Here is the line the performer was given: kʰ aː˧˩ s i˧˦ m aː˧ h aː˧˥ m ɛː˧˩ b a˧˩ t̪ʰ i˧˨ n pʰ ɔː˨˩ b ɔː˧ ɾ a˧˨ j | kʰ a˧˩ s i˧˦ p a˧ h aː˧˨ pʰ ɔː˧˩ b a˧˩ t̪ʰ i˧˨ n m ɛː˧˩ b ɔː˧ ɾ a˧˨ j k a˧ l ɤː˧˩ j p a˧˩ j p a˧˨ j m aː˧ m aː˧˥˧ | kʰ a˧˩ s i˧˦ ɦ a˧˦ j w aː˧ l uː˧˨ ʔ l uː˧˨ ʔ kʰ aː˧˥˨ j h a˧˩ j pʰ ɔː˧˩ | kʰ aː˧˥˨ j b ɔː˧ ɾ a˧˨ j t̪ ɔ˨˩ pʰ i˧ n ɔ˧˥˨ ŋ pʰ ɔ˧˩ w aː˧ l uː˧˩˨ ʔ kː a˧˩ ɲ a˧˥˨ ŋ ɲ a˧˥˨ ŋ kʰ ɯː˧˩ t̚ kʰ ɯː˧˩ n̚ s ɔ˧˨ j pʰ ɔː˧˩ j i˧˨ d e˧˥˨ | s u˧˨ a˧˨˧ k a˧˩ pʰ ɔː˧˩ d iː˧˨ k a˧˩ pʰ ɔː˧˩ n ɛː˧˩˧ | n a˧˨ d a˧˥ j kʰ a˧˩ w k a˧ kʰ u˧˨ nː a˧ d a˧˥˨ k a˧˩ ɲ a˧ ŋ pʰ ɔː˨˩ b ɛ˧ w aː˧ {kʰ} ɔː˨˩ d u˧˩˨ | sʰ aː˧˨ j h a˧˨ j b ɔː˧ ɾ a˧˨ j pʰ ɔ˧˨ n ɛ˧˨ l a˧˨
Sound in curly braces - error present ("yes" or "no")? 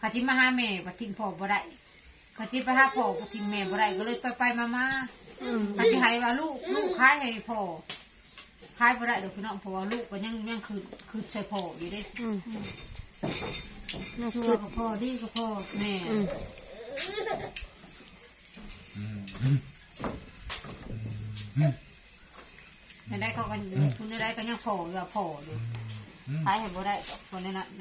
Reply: yes